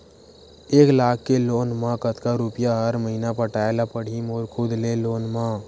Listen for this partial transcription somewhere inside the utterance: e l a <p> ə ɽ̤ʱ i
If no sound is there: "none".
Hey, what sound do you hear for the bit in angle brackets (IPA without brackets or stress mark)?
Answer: p